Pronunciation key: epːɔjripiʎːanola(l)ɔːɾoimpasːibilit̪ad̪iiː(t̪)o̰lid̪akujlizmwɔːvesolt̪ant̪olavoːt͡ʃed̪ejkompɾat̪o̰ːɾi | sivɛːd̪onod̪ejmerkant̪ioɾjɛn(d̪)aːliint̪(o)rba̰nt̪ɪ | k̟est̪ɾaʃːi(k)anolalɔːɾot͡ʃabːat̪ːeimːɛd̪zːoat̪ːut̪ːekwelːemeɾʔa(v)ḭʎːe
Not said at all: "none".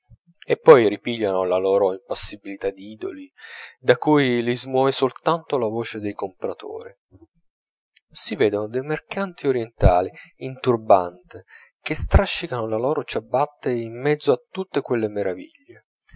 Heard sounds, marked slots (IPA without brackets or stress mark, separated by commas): l, d̪, t̪, u, k, v